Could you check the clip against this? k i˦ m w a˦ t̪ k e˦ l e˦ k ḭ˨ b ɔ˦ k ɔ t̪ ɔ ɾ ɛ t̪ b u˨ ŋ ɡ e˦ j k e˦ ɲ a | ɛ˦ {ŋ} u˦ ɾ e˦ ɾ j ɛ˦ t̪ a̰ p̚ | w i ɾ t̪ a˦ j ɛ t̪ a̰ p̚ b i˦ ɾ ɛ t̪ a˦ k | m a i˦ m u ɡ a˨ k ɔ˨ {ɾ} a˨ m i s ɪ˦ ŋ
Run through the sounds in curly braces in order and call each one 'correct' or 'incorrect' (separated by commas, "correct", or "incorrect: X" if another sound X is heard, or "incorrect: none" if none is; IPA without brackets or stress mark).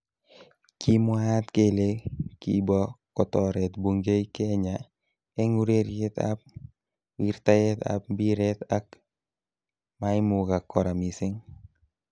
correct, correct